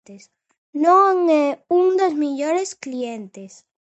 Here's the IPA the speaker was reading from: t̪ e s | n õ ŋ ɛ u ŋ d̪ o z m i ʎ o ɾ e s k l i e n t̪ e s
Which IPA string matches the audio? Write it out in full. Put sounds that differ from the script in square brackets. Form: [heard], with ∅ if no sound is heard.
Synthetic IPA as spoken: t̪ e s | n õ ŋ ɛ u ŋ d̪ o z m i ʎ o ɾ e s k l i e n t̪ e s